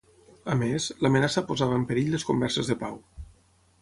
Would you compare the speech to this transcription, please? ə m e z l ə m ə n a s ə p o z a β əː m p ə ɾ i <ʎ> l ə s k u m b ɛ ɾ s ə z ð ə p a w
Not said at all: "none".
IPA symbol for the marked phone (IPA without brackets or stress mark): ʎ